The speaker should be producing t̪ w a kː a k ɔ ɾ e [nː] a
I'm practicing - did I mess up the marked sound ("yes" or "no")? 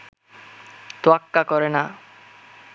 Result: yes